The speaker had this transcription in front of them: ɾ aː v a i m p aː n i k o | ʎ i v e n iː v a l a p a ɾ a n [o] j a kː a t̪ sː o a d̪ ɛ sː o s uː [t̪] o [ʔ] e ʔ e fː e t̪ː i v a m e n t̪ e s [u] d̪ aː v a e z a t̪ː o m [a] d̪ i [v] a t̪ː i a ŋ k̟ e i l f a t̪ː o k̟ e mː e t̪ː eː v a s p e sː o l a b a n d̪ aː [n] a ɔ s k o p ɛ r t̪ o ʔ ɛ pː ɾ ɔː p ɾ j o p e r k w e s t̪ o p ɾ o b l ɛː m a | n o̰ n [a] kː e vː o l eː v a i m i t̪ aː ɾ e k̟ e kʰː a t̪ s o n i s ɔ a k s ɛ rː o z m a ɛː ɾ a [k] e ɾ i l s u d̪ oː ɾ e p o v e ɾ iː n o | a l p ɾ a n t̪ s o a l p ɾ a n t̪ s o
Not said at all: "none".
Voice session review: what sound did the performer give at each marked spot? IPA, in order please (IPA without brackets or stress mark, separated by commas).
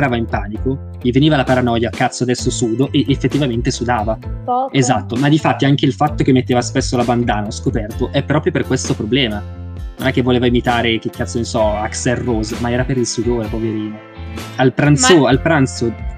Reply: ɔ, d̪, ʔ, u, a, f, n, ɛ, p